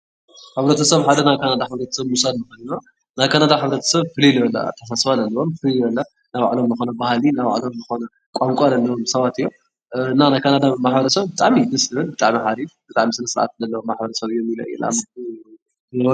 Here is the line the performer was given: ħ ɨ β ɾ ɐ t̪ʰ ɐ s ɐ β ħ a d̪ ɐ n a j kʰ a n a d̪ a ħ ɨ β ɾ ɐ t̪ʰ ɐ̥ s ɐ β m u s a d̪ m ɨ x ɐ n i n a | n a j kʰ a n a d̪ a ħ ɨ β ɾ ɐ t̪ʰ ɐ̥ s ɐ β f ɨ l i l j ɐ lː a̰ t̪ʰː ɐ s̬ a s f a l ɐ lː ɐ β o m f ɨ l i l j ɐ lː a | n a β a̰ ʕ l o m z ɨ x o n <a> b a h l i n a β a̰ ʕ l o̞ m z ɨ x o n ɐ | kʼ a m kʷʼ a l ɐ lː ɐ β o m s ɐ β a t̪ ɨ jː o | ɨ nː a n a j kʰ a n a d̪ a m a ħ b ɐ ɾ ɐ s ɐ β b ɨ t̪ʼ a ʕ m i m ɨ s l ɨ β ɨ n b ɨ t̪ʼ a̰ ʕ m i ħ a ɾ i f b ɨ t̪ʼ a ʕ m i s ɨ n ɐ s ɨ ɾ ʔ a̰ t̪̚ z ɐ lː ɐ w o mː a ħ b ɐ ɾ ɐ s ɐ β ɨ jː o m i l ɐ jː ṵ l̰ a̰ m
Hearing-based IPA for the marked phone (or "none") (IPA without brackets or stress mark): ɐ